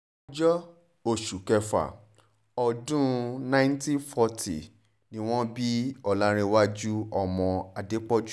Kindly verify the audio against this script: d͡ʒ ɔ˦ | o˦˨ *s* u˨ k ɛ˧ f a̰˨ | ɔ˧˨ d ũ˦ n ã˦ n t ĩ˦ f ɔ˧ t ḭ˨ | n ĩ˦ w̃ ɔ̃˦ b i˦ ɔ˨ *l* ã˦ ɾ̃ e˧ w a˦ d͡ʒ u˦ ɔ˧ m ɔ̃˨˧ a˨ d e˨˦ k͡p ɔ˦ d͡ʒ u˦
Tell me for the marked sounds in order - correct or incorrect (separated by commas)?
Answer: incorrect, correct